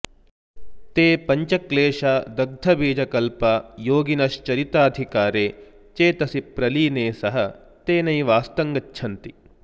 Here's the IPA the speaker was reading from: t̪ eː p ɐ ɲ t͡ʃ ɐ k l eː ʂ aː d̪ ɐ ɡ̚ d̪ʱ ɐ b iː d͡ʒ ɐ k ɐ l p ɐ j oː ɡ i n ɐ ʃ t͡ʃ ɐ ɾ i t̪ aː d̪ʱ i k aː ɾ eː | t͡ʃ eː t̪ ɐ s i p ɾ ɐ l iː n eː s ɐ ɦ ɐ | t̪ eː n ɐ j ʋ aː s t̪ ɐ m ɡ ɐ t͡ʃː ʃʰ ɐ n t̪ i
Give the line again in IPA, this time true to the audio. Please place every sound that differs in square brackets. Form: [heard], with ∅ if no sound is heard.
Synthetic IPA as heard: t̪ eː p ɐ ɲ t͡ʃ ɐ k l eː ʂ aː d̪ ɐ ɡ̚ d̪ʱ ɐ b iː d͡ʒ ɐ k ɐ l p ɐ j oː ɡ i n ɐ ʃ t͡ʃ ɐ ɾ i t̪ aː d̪ʱ i k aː ɾ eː | t͡ʃ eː t̪ ɐ s i p ɾ ɐ l iː n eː s ɐ ɦ ɐ | t̪ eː n ɐ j ʋ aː s t̪ ɐ [ŋ] ɡ ɐ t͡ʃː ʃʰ ɐ n t̪ i

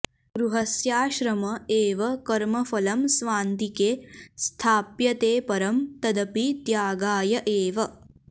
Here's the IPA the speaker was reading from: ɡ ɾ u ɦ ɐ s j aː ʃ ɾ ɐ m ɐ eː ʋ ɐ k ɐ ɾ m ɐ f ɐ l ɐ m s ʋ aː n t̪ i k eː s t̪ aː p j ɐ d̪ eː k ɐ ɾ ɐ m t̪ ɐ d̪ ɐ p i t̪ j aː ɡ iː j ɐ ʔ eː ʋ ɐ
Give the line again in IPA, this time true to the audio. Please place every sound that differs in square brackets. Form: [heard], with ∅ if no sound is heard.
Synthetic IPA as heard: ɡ ɾ u ɦ ɐ s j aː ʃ ɾ ɐ m ɐ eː ʋ ɐ k ɐ ɾ m ɐ f ɐ l ɐ m s ʋ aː n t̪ i k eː s [t̪ʰ] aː p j ɐ [t̪] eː [p] ɐ ɾ ɐ m t̪ ɐ d̪ ɐ p i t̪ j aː ɡ [aː] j ɐ ʔ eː ʋ ɐ

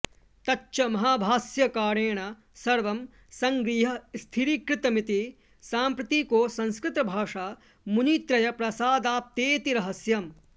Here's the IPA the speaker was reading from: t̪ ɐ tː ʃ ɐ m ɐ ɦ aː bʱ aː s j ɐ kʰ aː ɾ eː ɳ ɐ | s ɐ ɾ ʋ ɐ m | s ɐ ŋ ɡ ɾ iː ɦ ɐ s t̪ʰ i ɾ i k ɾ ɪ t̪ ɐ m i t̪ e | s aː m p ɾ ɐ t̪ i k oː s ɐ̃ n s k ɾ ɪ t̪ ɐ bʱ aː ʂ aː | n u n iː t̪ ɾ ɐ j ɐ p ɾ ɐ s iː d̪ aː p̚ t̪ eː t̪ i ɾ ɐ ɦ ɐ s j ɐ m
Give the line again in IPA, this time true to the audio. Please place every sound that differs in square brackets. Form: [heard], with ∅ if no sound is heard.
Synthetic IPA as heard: t̪ ɐ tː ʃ ɐ m ɐ ɦ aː bʱ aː s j ɐ [k] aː ɾ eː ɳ ɐ | s ɐ ɾ ʋ ɐ m | s ɐ ŋ ɡ ɾ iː ɦ ɐ s t̪ʰ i ɾ i k ɾ ɪ t̪ ɐ m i t̪ [i] | s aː m p ɾ ɐ t̪ i k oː s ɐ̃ n s k ɾ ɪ t̪ ɐ bʱ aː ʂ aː | [m] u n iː t̪ ɾ ɐ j ɐ p ɾ ɐ s [aː] d̪ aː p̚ t̪ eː t̪ i ɾ ɐ ɦ ɐ s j ɐ m

